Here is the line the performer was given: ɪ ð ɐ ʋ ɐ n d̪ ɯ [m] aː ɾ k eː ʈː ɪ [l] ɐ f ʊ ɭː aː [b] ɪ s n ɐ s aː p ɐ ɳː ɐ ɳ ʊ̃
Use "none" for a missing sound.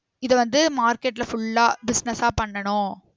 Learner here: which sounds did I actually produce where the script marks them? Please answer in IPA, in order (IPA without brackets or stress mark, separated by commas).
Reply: m, l, b